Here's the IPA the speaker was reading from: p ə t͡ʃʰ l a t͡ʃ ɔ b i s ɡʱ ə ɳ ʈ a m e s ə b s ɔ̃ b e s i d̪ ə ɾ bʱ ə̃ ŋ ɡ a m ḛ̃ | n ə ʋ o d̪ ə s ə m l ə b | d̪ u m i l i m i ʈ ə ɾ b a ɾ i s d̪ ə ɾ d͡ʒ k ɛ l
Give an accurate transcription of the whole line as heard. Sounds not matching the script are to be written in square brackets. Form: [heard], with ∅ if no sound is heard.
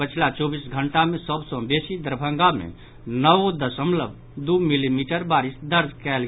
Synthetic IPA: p ə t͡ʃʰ l a t͡ʃ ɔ b i s ɡʱ ə ɳ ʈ a m e s ə b s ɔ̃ b e s i d̪ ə ɾ bʱ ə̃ ŋ ɡ a m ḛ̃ | n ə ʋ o d̪ ə s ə m l ə b | d̪ u m i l i m i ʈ ə ɾ b a ɾ i s d̪ ə ɾ d͡ʒ k ɛ l